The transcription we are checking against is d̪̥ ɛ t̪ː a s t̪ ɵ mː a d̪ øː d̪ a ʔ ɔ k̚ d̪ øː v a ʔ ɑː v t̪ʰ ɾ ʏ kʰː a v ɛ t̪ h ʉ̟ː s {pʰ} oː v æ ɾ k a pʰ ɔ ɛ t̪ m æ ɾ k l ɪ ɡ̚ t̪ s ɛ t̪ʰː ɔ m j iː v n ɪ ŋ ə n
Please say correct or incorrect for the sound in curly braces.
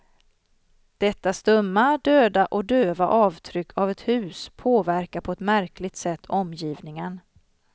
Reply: correct